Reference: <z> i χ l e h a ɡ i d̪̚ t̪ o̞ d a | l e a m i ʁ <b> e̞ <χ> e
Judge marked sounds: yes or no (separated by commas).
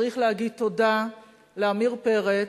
no, no, no